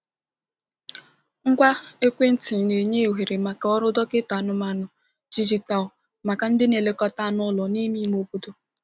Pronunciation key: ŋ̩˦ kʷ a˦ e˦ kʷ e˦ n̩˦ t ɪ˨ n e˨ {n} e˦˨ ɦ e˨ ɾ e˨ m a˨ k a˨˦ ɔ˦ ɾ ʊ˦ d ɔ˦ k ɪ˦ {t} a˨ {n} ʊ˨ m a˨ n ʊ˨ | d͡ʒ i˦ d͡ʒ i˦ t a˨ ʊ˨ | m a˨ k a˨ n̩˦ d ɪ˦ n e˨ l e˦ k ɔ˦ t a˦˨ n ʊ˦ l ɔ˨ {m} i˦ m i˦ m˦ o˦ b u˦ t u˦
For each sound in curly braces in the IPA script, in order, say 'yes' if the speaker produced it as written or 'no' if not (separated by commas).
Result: no, yes, yes, no